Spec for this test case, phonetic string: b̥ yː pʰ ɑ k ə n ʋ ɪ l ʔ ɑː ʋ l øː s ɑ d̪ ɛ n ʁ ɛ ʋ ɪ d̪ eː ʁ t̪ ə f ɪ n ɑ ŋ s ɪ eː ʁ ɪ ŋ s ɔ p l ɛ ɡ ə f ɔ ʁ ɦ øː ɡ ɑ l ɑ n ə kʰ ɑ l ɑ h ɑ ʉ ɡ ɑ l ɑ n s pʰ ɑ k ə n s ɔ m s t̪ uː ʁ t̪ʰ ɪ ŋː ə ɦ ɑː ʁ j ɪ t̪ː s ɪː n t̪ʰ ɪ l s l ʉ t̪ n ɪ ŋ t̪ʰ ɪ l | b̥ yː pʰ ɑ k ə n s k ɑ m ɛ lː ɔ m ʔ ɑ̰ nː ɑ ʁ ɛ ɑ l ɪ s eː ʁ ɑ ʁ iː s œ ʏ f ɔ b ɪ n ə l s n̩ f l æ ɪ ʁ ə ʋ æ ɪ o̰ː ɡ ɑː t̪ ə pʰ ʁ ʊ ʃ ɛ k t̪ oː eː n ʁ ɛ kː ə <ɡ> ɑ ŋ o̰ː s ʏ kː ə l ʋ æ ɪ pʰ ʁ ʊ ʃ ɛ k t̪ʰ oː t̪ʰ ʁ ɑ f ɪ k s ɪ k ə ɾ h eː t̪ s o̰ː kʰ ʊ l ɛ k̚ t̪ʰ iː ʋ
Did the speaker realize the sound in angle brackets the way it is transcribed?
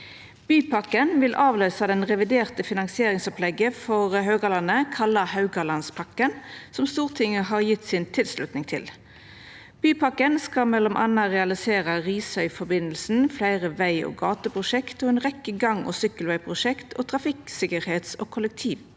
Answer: yes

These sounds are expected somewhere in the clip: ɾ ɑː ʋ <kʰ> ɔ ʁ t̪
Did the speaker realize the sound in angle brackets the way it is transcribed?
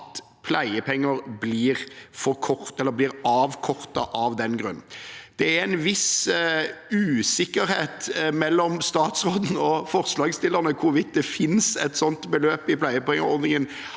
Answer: yes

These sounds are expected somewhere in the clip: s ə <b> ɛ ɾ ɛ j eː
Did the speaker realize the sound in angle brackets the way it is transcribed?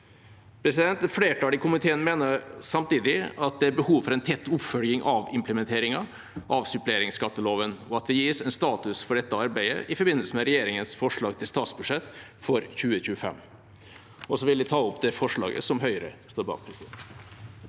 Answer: no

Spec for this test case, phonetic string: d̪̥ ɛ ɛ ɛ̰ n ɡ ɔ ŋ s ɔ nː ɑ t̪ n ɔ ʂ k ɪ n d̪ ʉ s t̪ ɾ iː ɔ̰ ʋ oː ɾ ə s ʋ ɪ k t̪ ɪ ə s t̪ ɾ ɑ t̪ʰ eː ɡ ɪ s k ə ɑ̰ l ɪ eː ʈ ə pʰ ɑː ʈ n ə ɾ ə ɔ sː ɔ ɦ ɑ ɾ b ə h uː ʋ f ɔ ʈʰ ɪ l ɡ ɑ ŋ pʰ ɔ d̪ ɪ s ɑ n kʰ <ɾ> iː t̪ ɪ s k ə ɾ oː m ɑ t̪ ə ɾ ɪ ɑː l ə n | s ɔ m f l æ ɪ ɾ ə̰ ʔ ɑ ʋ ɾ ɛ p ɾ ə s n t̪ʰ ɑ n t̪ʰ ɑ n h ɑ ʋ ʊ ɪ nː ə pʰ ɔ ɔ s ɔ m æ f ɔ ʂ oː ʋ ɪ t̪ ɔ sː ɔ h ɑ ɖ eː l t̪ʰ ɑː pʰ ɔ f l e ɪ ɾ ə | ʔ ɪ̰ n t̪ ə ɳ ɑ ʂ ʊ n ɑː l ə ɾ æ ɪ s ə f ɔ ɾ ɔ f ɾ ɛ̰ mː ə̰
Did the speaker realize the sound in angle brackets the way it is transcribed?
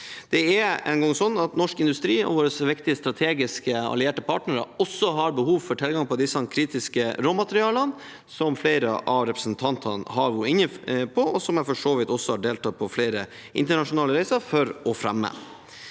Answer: yes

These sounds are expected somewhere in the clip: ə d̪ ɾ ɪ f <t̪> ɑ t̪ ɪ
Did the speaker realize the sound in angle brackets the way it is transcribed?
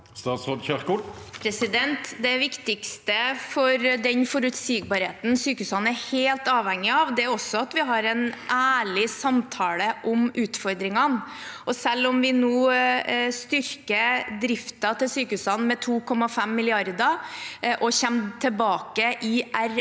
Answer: yes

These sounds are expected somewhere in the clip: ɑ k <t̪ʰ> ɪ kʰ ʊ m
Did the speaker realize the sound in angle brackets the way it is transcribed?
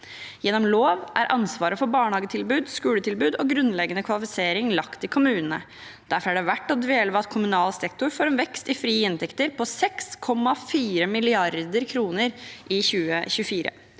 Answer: no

